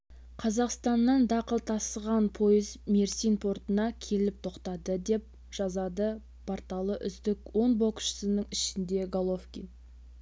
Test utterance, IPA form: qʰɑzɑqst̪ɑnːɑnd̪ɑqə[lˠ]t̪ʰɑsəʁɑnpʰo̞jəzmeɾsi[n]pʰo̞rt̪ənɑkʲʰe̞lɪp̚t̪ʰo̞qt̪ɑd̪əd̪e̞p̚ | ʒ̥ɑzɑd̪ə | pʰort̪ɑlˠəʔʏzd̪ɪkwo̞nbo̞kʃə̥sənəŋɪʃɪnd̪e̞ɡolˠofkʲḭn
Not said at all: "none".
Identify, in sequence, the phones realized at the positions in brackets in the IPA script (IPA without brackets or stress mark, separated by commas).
lˠ, n